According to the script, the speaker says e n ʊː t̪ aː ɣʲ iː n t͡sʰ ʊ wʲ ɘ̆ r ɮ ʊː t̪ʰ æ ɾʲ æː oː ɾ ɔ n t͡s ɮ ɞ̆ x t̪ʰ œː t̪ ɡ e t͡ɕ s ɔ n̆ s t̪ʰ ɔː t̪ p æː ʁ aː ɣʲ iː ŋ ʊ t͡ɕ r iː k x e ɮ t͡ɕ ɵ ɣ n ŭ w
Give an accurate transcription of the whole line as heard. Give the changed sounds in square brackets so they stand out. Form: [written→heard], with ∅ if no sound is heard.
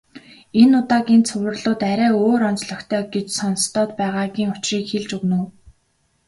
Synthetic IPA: e n [ʊː→ʊ] t̪ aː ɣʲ iː n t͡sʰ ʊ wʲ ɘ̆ r ɮ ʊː [t̪ʰ→t̪] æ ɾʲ æː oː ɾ ɔ n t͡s ɮ ɞ̆ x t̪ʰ œː [t̪→∅] ɡ e t͡ɕ s ɔ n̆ s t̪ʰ ɔː t̪ p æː ʁ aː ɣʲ iː ŋ ʊ t͡ɕ r iː k x e ɮ t͡ɕ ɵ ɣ n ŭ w